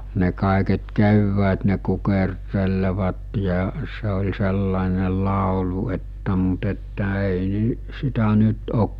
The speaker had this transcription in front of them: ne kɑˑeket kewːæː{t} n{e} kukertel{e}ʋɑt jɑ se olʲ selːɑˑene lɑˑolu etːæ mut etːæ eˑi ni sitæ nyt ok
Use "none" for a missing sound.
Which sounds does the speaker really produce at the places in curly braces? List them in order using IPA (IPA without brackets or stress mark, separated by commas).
t, e, e